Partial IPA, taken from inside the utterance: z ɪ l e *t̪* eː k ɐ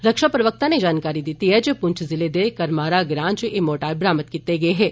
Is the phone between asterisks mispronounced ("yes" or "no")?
yes